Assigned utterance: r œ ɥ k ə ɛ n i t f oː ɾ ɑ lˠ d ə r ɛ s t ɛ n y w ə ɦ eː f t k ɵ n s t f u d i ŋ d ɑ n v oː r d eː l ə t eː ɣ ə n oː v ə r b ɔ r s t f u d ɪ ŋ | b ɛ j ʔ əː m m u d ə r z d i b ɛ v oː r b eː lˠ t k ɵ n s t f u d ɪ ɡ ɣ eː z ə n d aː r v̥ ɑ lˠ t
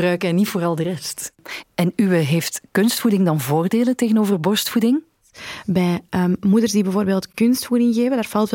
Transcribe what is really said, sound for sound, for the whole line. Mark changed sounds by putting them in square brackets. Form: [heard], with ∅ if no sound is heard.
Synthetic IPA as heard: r œ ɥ k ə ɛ n i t f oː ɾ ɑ lˠ d ə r ɛ s t ɛ n y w ə ɦ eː f t k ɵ n s t f u d [ɪ] ŋ d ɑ n v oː r d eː l ə t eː ɣ ə n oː v ə r b ɔ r s t f u d ɪ ŋ | b ɛ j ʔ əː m m u d ə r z d i b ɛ v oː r b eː lˠ t k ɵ n s t f u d ɪ [ŋ] ɣ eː [v] ə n d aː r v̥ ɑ lˠ t